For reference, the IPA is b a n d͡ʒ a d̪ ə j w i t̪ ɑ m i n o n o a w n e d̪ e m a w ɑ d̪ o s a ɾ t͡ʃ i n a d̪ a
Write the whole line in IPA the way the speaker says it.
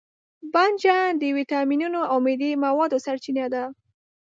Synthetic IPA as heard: b a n d͡ʒ a d̪ ə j w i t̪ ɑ m i n u n o a w m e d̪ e m a w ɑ d̪ o s a ɾ t͡ʃ i n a d̪ a

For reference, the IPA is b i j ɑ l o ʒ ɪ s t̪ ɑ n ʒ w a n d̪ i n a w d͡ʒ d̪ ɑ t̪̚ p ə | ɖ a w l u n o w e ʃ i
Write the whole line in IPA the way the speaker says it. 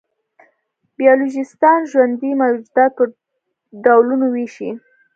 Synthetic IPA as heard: b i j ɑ l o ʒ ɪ s t̪ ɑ n ʒ w a n d̪ i m a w d͡ʒ d̪ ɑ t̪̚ p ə | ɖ a w l u n o w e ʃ i

